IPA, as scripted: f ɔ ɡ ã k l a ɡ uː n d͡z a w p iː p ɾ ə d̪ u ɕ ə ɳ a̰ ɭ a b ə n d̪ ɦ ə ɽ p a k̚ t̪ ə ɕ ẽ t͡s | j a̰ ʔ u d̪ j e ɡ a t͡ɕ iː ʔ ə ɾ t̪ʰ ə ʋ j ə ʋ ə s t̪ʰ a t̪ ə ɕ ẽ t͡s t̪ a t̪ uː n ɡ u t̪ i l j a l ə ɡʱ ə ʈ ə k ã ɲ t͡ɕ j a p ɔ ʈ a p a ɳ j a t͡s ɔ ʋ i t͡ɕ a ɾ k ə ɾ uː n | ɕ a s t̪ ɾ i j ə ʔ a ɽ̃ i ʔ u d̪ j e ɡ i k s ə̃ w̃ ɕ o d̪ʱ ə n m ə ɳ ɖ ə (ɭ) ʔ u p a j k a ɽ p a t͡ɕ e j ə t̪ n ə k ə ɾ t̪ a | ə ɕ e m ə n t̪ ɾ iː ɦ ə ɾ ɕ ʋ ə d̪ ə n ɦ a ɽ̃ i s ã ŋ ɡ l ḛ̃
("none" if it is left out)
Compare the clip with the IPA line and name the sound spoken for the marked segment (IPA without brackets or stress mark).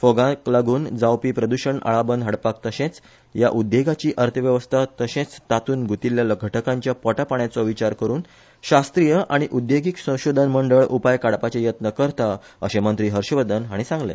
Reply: ɭ